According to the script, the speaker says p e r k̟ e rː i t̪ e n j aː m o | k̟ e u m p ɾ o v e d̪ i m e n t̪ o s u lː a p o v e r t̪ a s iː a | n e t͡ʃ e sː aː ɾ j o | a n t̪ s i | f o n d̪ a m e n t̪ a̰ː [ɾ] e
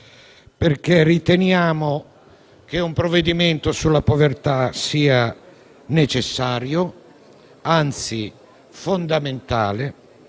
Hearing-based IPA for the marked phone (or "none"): l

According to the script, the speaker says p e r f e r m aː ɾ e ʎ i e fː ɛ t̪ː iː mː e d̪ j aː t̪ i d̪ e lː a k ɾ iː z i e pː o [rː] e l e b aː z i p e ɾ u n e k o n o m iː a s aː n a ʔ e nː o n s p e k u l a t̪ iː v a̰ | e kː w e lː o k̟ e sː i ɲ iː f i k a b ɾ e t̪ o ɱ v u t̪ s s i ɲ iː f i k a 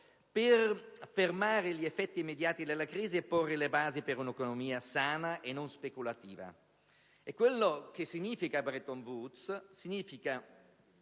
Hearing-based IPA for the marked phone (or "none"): rː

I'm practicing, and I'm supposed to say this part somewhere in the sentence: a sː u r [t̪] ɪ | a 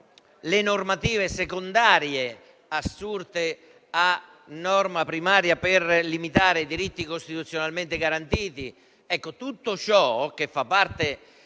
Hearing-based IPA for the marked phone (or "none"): t̪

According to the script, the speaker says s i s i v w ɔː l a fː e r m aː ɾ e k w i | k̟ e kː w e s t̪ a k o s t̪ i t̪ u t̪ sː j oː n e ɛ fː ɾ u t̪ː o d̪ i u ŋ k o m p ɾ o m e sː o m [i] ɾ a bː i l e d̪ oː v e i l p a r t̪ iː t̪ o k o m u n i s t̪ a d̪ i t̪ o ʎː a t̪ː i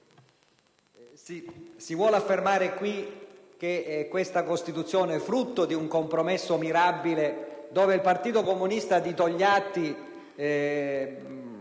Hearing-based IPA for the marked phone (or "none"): i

